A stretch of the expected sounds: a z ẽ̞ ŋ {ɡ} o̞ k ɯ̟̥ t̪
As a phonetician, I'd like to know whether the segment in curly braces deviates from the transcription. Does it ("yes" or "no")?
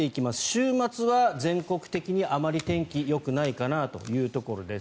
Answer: yes